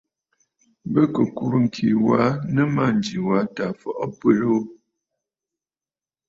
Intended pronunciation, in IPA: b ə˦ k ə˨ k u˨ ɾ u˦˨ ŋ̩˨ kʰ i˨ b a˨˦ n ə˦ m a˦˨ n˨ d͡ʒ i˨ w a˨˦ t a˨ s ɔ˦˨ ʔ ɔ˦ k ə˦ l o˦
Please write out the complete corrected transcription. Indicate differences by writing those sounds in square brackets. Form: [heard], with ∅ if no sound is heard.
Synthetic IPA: b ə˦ k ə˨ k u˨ ɾ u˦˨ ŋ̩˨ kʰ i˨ [w] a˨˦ n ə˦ m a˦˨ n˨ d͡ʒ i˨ w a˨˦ t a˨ [f] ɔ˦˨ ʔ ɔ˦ [p] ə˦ l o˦